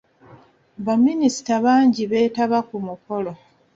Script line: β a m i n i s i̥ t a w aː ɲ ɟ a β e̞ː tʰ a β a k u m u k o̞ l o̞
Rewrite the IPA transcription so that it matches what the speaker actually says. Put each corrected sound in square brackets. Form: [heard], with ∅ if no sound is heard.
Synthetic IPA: β a m i n i s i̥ t a [β] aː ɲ ɟ [i] β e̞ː [t] a β a k u m u k o̞ l o̞